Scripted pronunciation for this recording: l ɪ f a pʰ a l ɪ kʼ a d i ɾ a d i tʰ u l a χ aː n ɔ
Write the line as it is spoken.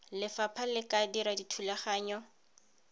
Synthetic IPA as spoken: l ɪ f a pʰ a l ɪ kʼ a d i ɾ a d i tʰ u l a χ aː ɲ ɔ